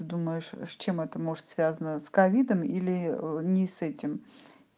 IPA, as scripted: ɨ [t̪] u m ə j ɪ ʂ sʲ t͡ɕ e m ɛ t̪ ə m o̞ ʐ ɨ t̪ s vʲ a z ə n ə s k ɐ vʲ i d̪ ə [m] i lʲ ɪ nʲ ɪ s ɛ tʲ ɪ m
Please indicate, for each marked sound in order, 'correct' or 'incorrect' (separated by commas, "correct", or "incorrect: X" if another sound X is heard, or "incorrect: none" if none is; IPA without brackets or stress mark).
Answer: incorrect: d̪, correct